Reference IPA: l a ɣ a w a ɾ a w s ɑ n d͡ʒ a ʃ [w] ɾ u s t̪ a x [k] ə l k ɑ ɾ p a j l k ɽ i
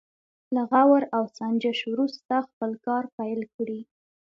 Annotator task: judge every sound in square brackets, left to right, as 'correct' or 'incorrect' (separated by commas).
correct, incorrect